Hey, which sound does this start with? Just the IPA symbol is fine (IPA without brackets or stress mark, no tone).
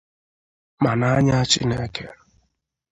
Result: m